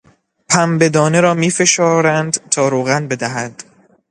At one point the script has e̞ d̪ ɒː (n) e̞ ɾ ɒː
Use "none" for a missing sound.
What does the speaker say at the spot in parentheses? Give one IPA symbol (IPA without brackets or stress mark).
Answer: n